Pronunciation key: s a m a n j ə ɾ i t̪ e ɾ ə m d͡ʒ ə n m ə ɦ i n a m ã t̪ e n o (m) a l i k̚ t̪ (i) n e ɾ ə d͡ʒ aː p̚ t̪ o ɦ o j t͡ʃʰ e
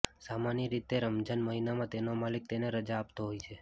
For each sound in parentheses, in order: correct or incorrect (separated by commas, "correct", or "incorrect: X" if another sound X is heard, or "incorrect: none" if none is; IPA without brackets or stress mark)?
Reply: correct, incorrect: e